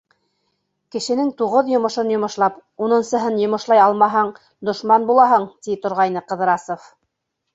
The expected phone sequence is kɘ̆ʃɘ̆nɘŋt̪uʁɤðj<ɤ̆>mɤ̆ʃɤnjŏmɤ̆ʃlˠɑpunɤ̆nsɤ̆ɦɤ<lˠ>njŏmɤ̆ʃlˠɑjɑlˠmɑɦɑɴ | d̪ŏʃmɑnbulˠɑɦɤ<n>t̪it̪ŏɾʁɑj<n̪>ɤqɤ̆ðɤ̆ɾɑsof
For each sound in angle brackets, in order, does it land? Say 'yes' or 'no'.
no, no, no, yes

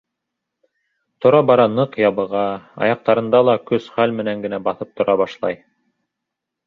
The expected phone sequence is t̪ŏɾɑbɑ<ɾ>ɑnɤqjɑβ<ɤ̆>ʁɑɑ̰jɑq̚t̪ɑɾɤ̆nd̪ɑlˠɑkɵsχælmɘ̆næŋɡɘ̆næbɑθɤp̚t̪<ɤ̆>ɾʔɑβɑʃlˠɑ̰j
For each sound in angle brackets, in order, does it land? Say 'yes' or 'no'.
yes, yes, no

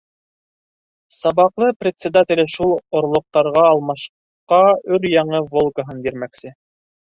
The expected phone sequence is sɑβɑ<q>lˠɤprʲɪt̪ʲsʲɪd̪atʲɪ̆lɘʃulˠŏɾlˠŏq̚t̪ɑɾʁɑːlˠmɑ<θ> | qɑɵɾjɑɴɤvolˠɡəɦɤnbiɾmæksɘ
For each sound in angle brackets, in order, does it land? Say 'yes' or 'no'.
yes, no

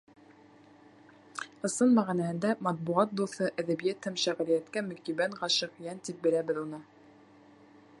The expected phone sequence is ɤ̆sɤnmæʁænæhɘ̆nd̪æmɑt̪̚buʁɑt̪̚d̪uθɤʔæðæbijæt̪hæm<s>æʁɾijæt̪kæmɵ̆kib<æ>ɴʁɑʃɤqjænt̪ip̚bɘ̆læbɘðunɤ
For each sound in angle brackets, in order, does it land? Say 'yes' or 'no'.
no, yes

